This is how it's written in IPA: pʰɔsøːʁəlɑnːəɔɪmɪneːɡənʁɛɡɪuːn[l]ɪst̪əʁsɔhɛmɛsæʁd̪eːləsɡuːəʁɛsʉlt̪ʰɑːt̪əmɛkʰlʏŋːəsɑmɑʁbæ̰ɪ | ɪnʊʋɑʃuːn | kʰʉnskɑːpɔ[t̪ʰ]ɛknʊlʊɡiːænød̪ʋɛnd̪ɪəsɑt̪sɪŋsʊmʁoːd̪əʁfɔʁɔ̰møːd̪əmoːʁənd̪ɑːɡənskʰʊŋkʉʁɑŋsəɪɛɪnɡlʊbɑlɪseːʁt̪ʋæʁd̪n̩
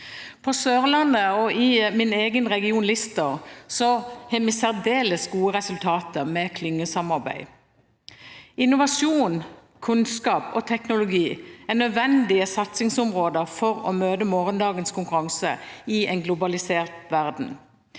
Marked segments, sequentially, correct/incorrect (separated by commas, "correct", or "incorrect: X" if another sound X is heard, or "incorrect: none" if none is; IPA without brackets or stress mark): correct, correct